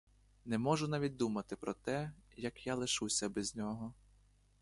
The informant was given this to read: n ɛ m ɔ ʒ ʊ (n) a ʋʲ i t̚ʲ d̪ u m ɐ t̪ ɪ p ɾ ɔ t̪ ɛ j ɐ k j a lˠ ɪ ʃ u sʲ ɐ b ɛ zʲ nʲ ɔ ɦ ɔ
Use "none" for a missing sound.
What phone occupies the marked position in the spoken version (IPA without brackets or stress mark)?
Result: n